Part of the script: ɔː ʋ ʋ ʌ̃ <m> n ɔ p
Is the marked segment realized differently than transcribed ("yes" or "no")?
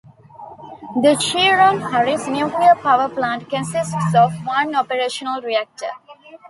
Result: yes